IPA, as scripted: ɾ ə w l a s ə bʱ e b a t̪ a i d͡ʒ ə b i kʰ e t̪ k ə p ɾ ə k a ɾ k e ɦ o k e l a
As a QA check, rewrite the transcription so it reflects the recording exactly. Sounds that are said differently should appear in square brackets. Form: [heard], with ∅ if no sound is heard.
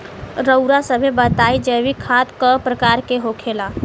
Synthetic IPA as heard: ɾ ə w [ɾ] a s ə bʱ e b [ə] t̪ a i d͡ʒ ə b i kʰ [a] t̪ k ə p ɾ ə k a ɾ k e ɦ o [kʰ] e l a